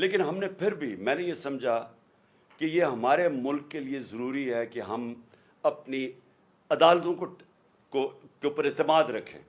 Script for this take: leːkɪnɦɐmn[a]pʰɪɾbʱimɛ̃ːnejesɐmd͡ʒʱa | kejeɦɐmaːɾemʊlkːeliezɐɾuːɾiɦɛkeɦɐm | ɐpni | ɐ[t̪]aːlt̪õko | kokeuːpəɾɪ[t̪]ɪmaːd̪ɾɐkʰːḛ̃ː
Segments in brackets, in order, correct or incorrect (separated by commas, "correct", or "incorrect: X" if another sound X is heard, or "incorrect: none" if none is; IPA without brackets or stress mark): incorrect: e, incorrect: d̪, correct